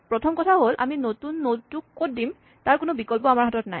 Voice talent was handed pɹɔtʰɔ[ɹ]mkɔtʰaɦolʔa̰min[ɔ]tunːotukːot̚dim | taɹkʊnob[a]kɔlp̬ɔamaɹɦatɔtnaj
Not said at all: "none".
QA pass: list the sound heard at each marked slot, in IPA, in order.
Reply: none, o, i

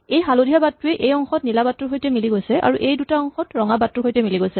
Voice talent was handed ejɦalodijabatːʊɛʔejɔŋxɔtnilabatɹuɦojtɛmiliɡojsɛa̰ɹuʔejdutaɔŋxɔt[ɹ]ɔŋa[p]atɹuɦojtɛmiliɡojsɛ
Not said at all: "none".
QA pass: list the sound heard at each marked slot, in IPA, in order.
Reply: ɹ, b

